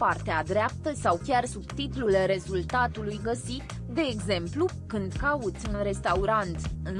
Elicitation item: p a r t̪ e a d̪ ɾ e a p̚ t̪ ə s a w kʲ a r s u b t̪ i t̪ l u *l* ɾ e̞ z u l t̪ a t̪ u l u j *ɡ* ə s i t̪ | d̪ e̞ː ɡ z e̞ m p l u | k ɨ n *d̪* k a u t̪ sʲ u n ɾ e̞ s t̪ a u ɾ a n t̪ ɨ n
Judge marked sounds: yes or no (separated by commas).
yes, yes, yes